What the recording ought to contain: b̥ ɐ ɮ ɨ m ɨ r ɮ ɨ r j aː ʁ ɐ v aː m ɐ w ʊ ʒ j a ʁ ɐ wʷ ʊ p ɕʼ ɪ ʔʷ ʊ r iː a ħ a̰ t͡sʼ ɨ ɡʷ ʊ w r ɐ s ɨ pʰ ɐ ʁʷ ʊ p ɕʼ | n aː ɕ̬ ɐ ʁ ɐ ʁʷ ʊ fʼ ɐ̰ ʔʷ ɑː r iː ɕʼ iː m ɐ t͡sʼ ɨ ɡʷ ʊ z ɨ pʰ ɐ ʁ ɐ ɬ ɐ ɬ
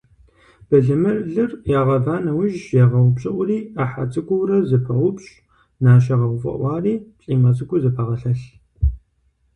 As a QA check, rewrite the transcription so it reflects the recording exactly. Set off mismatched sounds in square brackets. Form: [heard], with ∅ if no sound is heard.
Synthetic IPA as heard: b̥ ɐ ɮ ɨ m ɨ r ɮ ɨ r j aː ʁ ɐ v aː [n] ɐ w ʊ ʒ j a ʁ ɐ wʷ ʊ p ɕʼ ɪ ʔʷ ʊ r iː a ħ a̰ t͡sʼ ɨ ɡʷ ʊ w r ɐ [z] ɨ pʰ ɐ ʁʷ ʊ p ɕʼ | n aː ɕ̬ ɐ ʁ ɐ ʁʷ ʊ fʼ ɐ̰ ʔʷ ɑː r iː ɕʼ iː m ɐ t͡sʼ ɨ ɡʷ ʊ z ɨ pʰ ɐ ʁ ɐ ɬ ɐ ɬ